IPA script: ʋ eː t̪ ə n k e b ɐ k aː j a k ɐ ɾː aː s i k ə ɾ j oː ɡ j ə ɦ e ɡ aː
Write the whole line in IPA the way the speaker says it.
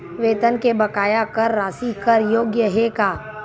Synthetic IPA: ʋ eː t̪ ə n k e b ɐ k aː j a k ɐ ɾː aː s i k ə ɾ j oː ɡ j ə ɦ e k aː